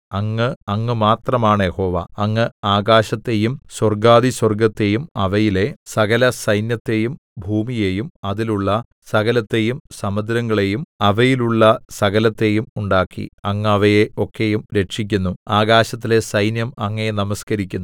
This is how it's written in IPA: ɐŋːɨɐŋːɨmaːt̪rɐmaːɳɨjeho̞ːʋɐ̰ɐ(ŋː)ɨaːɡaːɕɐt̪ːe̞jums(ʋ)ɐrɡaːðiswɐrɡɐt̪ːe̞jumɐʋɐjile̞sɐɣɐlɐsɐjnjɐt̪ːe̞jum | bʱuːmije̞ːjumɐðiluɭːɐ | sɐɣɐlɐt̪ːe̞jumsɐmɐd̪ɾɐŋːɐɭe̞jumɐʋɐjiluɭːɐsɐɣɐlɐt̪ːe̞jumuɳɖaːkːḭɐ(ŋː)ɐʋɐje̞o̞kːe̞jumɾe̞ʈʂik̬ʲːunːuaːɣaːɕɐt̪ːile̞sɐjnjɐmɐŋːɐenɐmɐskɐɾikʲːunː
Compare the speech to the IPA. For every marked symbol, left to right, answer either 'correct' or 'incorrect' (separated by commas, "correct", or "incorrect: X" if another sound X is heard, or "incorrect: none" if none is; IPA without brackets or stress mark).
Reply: correct, incorrect: w, correct